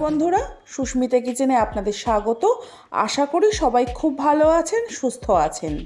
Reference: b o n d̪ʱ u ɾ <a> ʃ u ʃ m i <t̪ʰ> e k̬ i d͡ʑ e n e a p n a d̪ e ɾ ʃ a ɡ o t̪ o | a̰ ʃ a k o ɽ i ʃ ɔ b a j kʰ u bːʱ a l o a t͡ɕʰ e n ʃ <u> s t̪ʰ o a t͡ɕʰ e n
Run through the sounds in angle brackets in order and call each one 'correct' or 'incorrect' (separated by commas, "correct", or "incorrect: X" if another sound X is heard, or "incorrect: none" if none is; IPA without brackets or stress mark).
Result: correct, incorrect: t̪, correct